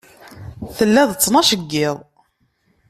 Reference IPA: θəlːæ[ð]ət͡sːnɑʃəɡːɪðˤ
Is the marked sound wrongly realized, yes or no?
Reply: no